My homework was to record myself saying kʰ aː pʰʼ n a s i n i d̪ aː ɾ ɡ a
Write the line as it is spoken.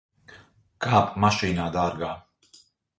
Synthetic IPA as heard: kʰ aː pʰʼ m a ʃ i n a d̪ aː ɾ ɡ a